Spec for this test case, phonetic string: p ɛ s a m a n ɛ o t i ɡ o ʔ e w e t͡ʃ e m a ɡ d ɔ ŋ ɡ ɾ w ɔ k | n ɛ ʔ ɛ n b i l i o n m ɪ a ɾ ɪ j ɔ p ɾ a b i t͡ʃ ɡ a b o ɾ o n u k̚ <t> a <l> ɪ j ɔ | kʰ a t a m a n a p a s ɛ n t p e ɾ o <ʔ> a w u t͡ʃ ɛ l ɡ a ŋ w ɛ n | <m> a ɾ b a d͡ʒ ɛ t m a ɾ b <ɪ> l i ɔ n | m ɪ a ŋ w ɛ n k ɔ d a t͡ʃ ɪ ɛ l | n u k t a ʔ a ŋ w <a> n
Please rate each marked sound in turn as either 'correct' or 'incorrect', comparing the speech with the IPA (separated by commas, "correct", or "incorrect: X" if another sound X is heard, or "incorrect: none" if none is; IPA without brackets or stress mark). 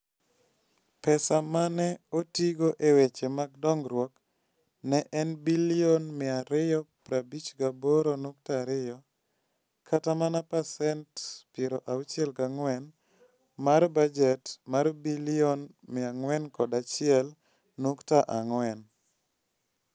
correct, incorrect: ɾ, correct, correct, incorrect: i, incorrect: ɛ